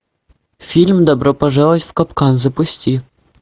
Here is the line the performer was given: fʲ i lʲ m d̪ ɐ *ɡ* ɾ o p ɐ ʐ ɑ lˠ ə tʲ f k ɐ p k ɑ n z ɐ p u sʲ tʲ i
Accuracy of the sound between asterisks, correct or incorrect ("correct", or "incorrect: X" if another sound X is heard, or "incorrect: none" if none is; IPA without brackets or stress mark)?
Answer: incorrect: b